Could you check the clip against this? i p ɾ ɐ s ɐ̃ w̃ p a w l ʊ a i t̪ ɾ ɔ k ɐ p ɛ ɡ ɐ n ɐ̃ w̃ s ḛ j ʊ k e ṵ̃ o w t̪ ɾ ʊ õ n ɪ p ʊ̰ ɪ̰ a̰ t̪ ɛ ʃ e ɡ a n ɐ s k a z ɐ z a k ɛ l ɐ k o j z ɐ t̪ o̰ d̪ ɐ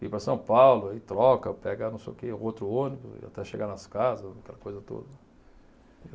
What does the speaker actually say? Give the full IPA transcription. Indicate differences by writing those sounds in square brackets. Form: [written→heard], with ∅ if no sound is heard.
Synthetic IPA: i p ɾ ɐ s ɐ̃ w̃ p a w l ʊ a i t̪ ɾ ɔ k ɐ p ɛ ɡ ɐ n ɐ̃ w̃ s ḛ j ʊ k e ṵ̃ o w t̪ ɾ ʊ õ n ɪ [p→b] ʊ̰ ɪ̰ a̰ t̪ ɛ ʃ e ɡ a n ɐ s k a z ɐ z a k ɛ l ɐ k o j z ɐ t̪ o̰ d̪ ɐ